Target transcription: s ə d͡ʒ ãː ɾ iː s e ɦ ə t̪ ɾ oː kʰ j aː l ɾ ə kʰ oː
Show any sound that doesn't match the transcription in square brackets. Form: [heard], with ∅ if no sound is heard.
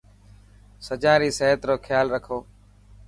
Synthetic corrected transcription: s ə d͡ʒ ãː ɾ iː s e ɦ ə t̪ ɾ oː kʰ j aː l ɾ ə kʰ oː